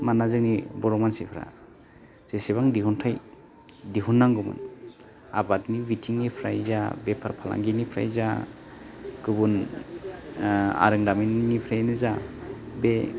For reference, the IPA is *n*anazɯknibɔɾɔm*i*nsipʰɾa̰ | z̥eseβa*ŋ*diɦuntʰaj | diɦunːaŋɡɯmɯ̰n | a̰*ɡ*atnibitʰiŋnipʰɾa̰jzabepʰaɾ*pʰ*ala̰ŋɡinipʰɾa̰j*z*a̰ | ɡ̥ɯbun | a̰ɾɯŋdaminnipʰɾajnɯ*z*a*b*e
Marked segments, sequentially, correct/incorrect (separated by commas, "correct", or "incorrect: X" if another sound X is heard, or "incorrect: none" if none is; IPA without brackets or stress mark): incorrect: m, incorrect: a, correct, incorrect: b, correct, correct, correct, correct